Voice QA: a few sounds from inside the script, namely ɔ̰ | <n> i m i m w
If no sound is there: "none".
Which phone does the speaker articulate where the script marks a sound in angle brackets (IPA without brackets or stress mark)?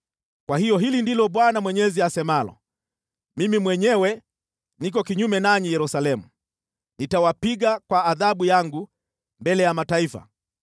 m